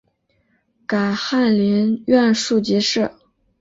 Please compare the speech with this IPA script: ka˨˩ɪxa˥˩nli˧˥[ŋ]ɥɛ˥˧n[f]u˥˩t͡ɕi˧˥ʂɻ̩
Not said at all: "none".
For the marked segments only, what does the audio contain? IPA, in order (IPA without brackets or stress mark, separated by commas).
n, ʂ